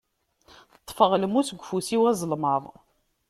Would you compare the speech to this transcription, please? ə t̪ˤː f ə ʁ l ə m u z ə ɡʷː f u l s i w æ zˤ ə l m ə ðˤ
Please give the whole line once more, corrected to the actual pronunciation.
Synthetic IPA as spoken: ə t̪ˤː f ə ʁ l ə m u s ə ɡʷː f u s i w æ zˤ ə l m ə ðˤ

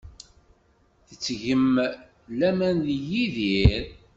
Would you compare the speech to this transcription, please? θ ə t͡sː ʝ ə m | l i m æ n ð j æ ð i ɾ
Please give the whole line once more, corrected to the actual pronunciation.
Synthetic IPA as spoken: θ ə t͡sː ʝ ə m | l æ m æ n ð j i ð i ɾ

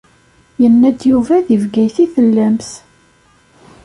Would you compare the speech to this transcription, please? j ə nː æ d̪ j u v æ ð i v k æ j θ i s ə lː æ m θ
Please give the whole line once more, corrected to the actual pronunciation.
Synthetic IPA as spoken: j ə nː æ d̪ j u v æ ð i v ɡ æ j θ i θ ə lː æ m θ

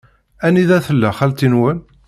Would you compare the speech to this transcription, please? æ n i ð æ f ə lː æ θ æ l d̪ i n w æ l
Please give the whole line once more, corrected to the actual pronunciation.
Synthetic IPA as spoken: æ n i ð æ θ ə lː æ χ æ l t̪ i n w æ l

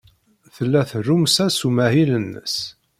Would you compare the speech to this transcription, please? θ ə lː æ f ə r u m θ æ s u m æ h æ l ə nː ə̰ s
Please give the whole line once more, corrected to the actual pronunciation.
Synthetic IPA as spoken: θ ə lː æ θ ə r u m s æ s u m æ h i l ə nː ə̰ s

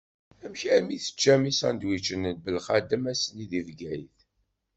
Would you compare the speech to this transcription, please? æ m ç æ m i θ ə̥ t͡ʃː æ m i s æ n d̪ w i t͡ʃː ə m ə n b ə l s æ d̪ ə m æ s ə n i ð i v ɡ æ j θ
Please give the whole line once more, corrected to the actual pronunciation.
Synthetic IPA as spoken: æ m ç æ m i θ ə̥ t͡ʃː æ m i s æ n d̪ w i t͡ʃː ə n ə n b ə l χ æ d̪ ə m æ s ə n i ð i v ɡ æ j θ

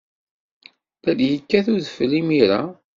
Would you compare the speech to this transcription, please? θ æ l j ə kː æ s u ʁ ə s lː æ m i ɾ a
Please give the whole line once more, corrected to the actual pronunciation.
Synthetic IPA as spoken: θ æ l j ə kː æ θ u ð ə f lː i m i ɾ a

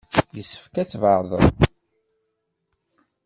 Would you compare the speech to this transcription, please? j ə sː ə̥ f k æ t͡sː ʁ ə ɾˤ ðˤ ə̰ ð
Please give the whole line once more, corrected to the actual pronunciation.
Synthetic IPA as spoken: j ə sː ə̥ f k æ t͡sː v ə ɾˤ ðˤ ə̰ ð

